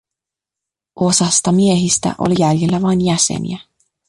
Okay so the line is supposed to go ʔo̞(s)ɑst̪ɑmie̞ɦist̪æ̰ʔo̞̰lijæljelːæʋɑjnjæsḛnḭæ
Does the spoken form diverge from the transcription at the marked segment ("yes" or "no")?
no